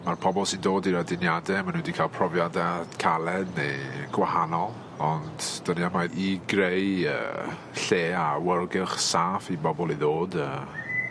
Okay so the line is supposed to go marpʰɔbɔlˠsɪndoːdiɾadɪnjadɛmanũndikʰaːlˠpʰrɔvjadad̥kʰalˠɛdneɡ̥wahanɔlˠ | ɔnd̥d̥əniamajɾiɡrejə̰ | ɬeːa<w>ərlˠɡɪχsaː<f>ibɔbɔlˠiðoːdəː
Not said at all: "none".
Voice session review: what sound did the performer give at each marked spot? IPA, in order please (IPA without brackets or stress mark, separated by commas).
w, f